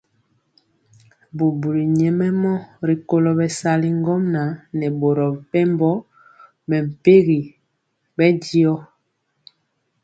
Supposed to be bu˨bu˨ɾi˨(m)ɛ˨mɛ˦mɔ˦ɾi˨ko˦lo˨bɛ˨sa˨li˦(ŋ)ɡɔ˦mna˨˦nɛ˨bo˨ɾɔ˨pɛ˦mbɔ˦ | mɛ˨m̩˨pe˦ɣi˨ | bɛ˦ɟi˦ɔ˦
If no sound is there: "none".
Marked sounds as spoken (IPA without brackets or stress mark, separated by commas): ɲ, ŋ